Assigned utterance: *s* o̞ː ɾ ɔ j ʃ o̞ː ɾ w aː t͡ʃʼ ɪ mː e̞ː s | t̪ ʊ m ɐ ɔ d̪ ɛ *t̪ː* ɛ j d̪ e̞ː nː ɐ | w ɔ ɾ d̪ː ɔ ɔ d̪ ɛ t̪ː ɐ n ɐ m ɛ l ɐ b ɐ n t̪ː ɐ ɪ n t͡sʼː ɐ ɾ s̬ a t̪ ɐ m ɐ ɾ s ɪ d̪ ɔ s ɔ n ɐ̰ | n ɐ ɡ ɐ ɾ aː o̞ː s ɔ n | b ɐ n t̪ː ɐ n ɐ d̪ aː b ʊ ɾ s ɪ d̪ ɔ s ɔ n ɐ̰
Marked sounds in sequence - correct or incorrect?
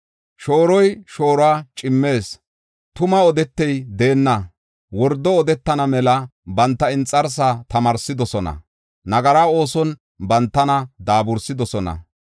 incorrect: ʃ, correct

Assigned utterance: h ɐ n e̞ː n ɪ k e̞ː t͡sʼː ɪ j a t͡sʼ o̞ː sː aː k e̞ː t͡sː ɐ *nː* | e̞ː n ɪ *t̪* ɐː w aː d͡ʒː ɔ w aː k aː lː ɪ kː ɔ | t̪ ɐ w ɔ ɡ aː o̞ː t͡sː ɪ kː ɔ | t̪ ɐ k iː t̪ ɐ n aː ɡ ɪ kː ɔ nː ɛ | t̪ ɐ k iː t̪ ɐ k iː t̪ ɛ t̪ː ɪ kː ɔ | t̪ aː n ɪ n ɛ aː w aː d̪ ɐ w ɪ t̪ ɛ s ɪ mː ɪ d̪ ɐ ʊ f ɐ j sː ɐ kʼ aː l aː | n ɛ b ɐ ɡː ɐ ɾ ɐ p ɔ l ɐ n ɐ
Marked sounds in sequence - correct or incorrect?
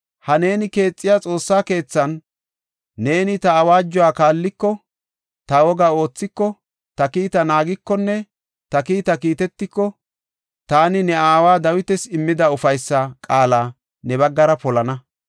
correct, correct

